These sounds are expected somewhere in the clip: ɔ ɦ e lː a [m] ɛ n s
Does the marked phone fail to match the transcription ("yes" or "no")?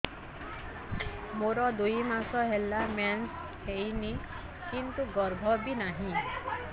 no